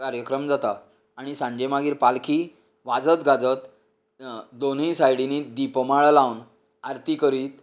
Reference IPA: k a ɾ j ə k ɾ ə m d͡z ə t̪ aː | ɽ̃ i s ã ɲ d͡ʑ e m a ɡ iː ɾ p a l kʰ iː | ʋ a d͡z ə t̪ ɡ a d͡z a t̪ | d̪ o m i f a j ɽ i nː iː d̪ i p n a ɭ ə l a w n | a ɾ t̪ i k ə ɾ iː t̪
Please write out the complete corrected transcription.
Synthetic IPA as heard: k a ɾ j ə k ɾ ə m d͡z a t̪ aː | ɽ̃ i s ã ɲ d͡ʑ e m a ɡ iː ɾ p a l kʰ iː | ʋ a d͡z ə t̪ ɡ a d͡z ə t̪ | d̪ o n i s a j ɽ i n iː d̪ i p m a ɭ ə l a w n | a ɾ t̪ i k ə ɾ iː t̪

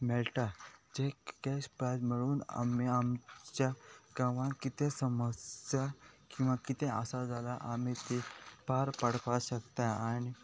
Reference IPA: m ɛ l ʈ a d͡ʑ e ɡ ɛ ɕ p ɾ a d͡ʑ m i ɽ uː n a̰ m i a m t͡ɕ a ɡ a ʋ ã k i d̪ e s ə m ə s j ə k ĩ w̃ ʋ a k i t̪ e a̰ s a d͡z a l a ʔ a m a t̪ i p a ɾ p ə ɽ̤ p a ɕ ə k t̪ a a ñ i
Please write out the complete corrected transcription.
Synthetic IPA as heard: m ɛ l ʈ a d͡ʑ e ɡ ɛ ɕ p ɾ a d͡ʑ m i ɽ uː n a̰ m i a m t͡ɕ a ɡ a ʋ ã k i t̪ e s ə m ə s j a k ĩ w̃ ʋ a k i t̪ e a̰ s a d͡z a l a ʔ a m i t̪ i p a ɾ p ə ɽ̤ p a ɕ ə k t̪ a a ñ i

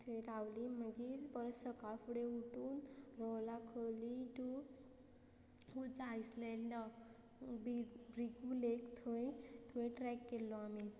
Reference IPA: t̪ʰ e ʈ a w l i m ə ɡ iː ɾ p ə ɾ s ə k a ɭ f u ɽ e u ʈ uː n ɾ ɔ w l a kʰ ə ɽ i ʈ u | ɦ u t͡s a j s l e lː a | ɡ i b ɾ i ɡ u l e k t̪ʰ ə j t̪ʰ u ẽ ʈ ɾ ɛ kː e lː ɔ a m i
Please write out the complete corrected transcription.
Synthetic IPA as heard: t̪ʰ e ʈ a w l i m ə ɡ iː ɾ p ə ɾ s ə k a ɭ f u ɽ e u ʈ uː n ɾ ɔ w l a kʰ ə l i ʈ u | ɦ u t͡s a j s l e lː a | b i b ɾ i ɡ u l e k t̪ʰ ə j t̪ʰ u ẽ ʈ ɾ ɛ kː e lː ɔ a m i

